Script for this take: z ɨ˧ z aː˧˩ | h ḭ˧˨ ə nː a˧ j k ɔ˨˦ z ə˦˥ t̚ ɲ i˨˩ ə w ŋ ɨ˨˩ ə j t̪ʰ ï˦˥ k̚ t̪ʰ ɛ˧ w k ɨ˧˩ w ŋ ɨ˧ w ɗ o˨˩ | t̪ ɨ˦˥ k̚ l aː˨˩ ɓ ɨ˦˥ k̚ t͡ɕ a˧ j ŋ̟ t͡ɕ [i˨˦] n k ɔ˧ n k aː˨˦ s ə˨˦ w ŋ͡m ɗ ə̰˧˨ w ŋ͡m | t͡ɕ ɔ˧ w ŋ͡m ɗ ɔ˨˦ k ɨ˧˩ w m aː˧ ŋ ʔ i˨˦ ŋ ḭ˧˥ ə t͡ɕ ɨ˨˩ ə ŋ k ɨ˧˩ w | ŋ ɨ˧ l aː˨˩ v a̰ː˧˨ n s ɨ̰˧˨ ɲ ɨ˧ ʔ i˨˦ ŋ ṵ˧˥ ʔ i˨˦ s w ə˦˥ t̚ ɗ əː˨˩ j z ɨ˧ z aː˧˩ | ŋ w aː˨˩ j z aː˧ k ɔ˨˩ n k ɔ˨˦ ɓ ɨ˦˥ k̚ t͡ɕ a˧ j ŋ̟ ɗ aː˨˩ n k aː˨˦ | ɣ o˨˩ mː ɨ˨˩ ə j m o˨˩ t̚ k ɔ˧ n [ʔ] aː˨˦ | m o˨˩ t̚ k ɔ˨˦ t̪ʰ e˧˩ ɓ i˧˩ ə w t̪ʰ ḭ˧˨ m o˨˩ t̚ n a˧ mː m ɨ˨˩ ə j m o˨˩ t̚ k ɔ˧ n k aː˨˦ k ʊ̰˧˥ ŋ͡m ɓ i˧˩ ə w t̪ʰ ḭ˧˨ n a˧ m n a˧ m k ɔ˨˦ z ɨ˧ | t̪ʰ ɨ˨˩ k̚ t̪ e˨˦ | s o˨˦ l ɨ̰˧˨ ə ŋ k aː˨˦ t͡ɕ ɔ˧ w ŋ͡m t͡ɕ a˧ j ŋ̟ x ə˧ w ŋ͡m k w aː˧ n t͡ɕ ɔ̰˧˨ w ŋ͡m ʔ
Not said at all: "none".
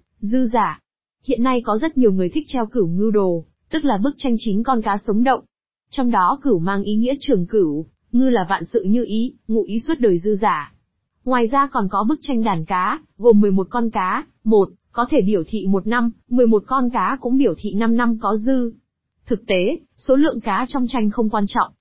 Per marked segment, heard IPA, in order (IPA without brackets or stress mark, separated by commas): i˨˦, k